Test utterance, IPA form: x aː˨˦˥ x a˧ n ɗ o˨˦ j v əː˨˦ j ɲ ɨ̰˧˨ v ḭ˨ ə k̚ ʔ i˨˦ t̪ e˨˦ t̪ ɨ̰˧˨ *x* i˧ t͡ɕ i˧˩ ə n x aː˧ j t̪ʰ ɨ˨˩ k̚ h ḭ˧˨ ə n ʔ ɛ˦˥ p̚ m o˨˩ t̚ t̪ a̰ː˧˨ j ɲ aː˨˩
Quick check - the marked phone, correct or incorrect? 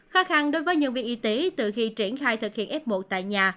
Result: correct